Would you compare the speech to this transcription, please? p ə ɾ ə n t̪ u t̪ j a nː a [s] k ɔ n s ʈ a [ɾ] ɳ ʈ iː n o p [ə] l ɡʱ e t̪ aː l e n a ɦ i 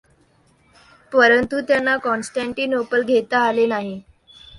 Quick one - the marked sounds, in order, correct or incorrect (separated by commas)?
incorrect, incorrect, correct